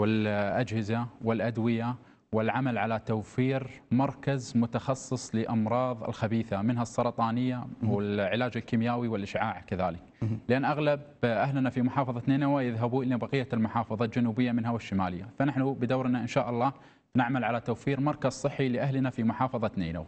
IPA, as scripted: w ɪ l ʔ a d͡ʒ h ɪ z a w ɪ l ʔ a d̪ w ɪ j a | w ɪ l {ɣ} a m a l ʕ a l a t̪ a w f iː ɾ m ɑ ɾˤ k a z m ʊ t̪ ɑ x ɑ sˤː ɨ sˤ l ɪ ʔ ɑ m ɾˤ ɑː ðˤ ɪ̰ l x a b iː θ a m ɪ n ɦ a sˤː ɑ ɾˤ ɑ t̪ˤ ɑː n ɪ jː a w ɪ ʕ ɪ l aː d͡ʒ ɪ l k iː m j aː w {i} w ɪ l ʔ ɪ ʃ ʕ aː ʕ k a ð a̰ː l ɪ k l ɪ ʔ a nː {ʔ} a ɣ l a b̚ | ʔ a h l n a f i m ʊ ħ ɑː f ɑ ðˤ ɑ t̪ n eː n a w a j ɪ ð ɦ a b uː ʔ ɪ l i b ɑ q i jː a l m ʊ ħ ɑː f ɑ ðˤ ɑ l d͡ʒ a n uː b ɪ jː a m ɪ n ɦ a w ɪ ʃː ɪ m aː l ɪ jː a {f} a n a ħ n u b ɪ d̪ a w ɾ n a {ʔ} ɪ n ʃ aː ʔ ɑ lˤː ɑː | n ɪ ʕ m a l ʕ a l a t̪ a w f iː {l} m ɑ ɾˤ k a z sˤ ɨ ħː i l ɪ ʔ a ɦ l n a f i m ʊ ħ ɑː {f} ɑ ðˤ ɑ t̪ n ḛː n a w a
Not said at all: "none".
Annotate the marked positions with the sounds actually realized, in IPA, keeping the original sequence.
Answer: ʕ, i, ʔ, f, ʔ, ɾ, f

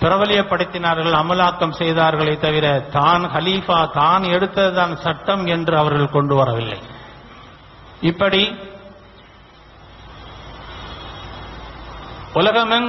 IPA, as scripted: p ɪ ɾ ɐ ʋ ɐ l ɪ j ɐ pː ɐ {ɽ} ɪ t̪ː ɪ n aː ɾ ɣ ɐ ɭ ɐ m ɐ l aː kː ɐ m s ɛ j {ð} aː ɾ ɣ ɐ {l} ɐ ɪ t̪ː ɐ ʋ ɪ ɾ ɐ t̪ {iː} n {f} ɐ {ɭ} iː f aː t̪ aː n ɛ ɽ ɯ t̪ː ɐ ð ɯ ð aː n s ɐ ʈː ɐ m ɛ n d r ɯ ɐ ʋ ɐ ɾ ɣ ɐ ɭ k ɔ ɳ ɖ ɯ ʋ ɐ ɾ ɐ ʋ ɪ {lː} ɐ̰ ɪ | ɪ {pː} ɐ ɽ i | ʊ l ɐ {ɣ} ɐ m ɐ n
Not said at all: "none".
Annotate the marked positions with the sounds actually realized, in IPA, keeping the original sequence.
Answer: ɽ, ð, ɭ, aː, x, l, lː, pː, ɣ

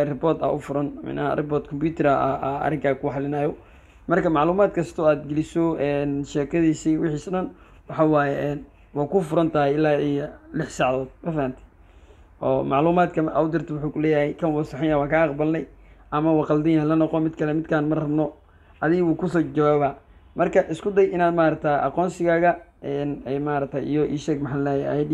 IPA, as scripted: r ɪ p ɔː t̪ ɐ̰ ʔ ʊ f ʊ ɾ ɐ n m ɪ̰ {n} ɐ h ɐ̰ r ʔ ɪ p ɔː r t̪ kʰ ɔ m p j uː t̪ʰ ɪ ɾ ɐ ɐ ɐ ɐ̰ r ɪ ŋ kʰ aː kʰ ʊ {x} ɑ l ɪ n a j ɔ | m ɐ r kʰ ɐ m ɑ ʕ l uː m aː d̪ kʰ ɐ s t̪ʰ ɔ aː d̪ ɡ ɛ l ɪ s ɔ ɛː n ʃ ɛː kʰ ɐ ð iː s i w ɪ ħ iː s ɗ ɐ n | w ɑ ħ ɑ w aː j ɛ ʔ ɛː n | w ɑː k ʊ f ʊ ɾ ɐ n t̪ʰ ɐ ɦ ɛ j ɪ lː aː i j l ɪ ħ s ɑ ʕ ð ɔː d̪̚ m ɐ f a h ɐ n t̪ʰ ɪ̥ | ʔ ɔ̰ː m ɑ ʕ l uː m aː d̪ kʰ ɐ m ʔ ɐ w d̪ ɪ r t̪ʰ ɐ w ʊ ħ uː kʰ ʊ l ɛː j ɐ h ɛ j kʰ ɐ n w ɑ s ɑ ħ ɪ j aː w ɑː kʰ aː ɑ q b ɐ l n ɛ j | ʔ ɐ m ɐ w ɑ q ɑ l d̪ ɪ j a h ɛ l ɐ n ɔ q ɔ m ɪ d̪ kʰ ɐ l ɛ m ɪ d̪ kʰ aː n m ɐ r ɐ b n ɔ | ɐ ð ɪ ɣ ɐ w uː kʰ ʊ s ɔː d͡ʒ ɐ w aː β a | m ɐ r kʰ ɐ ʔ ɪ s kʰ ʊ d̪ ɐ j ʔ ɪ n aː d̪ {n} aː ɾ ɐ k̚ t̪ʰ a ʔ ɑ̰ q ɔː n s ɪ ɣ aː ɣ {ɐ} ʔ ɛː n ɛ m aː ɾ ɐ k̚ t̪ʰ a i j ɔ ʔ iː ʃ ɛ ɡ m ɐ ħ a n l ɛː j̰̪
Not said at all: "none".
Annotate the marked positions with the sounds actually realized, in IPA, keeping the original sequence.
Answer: n, ħ, m, ɐ

